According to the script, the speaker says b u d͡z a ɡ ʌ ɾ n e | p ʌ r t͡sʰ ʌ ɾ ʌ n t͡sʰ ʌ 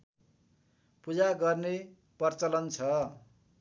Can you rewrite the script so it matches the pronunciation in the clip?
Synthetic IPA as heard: p u d͡z a ɡ ʌ r n e | p ʌ r t͡s ʌ l ʌ n t͡sʰ ʌ